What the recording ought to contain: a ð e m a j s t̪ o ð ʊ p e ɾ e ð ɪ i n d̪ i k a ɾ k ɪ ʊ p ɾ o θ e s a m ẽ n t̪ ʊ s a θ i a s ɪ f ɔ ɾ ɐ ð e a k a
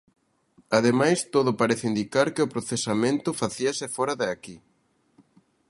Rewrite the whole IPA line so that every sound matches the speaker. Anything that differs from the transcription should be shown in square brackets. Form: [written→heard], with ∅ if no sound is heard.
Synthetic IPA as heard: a ð e m a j s t̪ o ð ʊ p [e→a] ɾ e [ð→θ] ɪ i n d̪ i k a ɾ k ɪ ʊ p ɾ o θ e s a m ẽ n t̪ ʊ [s→f] a θ i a s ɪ f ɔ ɾ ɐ ð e a k [a→i]